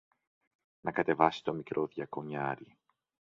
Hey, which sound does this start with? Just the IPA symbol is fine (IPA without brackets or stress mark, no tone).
n